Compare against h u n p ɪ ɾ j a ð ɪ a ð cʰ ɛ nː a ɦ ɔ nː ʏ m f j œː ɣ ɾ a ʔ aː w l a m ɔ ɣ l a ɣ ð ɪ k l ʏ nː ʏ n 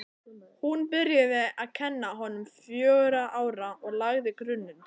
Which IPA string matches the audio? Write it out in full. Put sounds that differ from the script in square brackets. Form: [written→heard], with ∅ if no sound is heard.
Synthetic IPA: h u n p ɪ ɾ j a ð ɪ a ð cʰ ɛ nː a ɦ ɔ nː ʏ m f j œː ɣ ɾ a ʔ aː w [l→ɾ] a [m→∅] ɔ ɣ l a ɣ ð ɪ k [l→ɾ] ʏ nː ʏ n

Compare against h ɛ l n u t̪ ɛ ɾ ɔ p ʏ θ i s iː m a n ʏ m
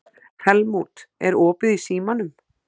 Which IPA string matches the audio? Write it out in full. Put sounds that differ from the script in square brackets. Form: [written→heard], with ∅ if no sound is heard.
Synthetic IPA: h ɛ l [n→m] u t̪ ɛ ɾ [ɔ→ɔː] p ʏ [θ→ð] i s iː m a n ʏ m

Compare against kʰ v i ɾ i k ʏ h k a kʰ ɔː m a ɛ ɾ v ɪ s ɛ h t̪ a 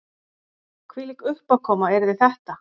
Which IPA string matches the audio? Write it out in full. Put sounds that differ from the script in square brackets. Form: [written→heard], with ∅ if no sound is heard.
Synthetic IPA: kʰ v i [ɾ→l] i k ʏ h [k→p] a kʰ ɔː m a ɛ ɾ [v→ð] ɪ [s→θ] ɛ h t̪ a

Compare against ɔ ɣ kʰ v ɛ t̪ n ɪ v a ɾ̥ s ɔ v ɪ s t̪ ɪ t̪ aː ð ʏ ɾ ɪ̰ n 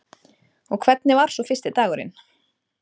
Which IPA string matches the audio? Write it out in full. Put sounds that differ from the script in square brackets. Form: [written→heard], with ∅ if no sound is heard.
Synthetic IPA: ɔ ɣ kʰ v ɛ t̪ n ɪ v a ɾ̥ s ɔ [v→f] ɪ s t̪ ɪ t̪ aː [ð→ɣ] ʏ ɾ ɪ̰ n

